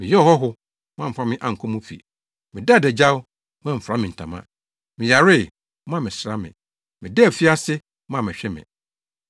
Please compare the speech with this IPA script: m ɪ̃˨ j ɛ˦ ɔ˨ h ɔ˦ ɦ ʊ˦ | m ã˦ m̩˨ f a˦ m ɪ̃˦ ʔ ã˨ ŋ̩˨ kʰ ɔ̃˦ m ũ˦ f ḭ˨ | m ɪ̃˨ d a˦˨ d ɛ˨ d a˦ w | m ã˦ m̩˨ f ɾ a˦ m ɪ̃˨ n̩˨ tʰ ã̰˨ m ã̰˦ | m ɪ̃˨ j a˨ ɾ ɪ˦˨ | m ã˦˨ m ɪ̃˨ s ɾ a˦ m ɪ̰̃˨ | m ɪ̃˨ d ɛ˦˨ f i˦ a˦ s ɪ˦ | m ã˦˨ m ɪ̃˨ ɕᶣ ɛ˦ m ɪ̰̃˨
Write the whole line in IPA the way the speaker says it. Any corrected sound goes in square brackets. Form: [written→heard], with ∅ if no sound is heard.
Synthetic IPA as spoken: m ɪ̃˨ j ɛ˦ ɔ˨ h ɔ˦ ɦ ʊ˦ | m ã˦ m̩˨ f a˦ m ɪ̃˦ ʔ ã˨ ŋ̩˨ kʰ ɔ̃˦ m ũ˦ f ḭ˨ | m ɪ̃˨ d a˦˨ d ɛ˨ [d→d͡ʑ] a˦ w | m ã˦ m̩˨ f ɾ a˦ m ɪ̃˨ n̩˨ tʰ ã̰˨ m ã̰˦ | m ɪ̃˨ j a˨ ɾ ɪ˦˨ | m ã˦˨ m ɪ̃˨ s ɾ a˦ m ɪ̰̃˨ | m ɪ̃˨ d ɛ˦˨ f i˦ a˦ s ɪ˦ | m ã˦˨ m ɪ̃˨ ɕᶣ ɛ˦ m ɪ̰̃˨